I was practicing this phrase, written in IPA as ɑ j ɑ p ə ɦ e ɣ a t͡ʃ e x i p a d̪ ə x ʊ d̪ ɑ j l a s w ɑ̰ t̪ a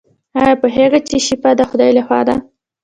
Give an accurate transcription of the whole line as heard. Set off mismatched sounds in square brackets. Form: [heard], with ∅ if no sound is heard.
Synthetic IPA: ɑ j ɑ p ə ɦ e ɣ a t͡ʃ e [ʃ] i p a d̪ ə x ʊ d̪ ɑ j l a [x] w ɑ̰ [d̪] a